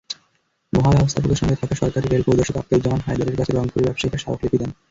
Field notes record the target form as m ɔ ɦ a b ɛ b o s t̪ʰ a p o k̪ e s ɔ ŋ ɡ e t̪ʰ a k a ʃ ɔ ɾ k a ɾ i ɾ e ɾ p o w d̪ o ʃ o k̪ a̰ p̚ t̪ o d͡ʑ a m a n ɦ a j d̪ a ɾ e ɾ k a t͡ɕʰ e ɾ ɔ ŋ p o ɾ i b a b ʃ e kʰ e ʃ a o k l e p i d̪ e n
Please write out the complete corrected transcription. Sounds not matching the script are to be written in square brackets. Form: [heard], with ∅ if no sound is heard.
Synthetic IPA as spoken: m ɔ ɦ a b ɛ b o s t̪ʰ a p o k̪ e [ʃ] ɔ ŋ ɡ e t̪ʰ a k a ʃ ɔ ɾ k a ɾ i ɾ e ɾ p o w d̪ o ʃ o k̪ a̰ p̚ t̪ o d͡ʑ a m a n ɦ a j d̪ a ɾ e ɾ k a t͡ɕʰ e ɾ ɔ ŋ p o ɾ i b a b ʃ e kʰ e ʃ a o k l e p i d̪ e n

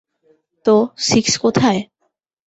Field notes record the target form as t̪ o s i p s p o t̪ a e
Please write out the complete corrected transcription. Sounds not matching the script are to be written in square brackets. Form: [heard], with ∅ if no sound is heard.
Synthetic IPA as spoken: t̪ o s i [k] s [k] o [t̪ʰ] a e

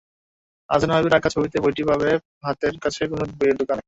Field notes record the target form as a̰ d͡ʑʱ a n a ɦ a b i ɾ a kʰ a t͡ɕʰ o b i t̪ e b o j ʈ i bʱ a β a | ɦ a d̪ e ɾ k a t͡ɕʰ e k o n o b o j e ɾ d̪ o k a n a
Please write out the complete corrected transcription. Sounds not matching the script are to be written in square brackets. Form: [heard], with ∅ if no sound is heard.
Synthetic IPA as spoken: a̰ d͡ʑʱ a n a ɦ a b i ɾ a kʰ a t͡ɕʰ o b i t̪ e b o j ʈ i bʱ a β [e] | ɦ a [t̪] e ɾ k a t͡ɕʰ e k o n o b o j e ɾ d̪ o k a n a

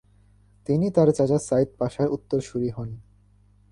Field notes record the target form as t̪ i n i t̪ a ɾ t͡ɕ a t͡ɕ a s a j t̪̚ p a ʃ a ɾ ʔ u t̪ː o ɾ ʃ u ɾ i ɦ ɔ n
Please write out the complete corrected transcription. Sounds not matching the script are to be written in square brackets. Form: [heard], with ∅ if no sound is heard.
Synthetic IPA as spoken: t̪ i n i t̪ a ɾ t͡ɕ a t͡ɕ a s a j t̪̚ p a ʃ a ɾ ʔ u t̪ː o ɾ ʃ u ɾ i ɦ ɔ n

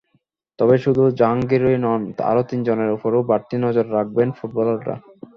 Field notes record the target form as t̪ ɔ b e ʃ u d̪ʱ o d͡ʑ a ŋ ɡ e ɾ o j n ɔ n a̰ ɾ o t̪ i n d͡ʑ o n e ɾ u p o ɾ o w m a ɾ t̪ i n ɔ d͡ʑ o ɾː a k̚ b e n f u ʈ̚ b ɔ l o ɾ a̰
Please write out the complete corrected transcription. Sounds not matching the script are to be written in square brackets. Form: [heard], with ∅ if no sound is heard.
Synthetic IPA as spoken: t̪ ɔ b e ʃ u d̪ʱ [u] d͡ʑ a ŋ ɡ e ɾ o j n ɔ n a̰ ɾ o t̪ i n d͡ʑ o n e ɾ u p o ɾ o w [b] a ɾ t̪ i n ɔ d͡ʑ o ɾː a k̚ b e n f u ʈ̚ b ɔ l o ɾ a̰

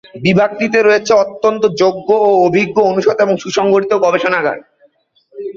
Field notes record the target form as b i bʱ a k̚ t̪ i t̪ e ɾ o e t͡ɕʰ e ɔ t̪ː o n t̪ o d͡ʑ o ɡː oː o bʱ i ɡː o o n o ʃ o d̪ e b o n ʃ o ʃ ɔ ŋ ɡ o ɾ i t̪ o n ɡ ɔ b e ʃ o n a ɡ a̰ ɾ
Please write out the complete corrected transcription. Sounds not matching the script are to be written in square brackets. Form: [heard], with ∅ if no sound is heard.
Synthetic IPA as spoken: b i bʱ a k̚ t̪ i t̪ e ɾ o e t͡ɕʰ e ɔ t̪ː o n t̪ o d͡ʑ o ɡː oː o bʱ i ɡː o o n [u] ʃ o d̪ e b o [ŋ] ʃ [u] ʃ ɔ ŋ ɡ o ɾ i t̪ o [∅] ɡ ɔ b e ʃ o n a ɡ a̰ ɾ

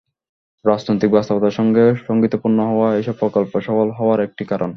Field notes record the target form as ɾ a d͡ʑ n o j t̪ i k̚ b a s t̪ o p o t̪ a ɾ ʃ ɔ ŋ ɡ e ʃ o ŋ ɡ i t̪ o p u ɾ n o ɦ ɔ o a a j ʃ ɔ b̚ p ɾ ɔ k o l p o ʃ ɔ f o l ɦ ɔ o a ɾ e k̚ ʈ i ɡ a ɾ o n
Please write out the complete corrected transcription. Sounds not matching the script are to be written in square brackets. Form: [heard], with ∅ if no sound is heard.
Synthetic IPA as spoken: ɾ a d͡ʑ n o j t̪ i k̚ b a s t̪ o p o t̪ a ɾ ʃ ɔ ŋ ɡ e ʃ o ŋ ɡ i t̪ o p u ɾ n o ɦ ɔ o a [e] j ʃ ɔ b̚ p ɾ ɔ k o l p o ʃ ɔ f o l ɦ ɔ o a ɾ e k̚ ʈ i [k] a ɾ o n

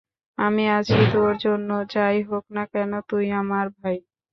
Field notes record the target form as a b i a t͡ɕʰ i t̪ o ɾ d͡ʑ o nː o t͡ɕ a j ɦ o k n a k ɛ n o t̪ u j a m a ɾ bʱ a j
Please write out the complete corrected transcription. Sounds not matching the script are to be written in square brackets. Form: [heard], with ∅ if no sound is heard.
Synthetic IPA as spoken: a [m] i a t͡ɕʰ i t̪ o ɾ d͡ʑ o nː o t͡ɕ a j ɦ o k n a k ɛ n o t̪ u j a m a ɾ bʱ a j

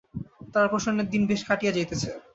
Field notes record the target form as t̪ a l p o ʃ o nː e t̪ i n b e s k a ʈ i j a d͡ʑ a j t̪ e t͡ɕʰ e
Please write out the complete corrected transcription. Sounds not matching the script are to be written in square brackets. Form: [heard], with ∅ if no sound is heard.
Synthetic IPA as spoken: t̪ a [ɾ] p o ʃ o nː e [d̪] i n b e [ʃ] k a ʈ i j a d͡ʑ a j t̪ e t͡ɕʰ e

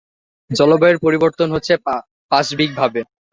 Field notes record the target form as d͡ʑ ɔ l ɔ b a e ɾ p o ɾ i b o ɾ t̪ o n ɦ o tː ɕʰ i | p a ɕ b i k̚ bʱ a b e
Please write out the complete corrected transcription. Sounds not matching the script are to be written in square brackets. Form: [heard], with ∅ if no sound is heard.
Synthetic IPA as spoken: d͡ʑ ɔ l [o] b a e ɾ p o ɾ i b o ɾ t̪ o n ɦ o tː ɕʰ [e] | p a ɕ b i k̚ bʱ a b e

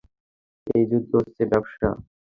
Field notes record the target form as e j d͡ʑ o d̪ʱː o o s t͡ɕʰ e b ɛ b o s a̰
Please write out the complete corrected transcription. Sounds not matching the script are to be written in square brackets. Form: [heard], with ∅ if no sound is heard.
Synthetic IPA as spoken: e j d͡ʑ [u] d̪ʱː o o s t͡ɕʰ e b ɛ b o [ʃ] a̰

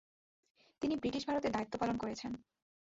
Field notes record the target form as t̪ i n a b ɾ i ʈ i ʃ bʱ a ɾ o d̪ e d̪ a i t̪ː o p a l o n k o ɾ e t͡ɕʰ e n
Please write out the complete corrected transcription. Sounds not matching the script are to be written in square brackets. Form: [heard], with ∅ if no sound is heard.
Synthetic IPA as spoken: t̪ i n [i] b ɾ i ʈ i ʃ bʱ a ɾ o [t̪] e d̪ a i t̪ː o p a l o n k o ɾ e t͡ɕʰ e n

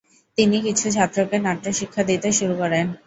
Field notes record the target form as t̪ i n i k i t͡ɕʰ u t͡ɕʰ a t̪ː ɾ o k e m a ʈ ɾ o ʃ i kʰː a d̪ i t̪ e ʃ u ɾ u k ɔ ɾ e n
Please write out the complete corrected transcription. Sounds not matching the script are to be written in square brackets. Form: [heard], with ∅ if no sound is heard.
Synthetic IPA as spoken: t̪ i n i k i t͡ɕʰ u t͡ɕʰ a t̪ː ɾ o k e [n] a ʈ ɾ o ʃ i kʰː a d̪ i t̪ e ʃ u ɾ u k ɔ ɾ e n

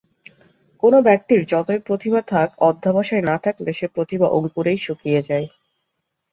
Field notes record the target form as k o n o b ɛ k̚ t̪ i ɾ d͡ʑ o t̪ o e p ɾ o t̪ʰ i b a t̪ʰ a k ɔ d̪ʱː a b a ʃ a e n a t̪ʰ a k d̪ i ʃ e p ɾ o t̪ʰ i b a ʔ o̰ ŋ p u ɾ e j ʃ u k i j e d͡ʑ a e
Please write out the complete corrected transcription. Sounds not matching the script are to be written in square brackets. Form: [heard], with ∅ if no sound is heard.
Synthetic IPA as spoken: k o n o b ɛ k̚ t̪ i ɾ d͡ʑ [ɔ] t̪ o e p ɾ o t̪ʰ i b a t̪ʰ a k ɔ d̪ʱː a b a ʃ a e n a t̪ʰ a k d̪ [e] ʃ e p ɾ o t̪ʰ i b a ʔ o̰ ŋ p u ɾ e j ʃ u k i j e d͡ʑ a e

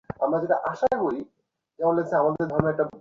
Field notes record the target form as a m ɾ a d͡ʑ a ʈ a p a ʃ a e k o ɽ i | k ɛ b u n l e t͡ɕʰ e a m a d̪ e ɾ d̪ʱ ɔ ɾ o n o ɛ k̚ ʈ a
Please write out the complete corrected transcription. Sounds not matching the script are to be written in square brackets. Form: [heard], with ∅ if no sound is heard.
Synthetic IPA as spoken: a m ɾ a d͡ʑ [e] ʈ a [ʔ] a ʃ a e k o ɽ i | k ɛ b [o] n l e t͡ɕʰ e a m a d̪ e ɾ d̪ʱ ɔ ɾ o n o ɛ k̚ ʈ a

